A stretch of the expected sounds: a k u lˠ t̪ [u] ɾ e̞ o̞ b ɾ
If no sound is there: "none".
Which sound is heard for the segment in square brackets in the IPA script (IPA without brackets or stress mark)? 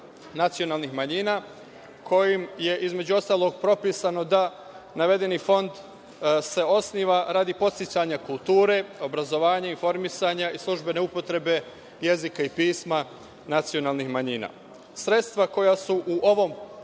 uː